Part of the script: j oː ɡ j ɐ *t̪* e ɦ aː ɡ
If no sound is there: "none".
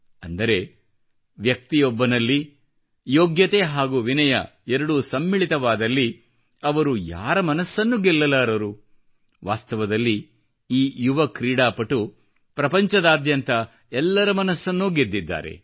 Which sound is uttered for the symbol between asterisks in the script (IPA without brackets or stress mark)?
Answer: t̪